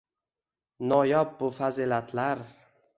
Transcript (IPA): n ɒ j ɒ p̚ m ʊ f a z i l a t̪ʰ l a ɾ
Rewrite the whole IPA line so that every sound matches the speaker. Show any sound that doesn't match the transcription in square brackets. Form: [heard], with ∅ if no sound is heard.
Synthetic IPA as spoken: n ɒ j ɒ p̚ [b] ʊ f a z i l a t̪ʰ l a ɾ